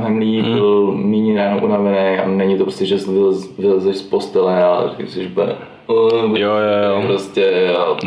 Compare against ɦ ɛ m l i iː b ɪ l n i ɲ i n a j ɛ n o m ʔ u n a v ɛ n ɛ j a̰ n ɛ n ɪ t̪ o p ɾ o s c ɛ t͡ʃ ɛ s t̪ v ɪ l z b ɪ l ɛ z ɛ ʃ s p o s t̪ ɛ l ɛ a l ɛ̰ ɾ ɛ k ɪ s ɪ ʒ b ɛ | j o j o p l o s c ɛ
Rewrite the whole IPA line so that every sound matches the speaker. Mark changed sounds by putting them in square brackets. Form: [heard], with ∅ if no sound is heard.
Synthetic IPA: ɦ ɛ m l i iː b ɪ l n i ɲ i n a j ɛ n o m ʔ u n a v ɛ n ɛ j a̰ n ɛ [ɲ] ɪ t̪ o p ɾ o s c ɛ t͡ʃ [a] s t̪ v ɪ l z [v] ɪ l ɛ z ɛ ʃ s p o s t̪ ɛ l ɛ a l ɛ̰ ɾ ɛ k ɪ s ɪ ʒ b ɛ | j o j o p [ɾ] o s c ɛ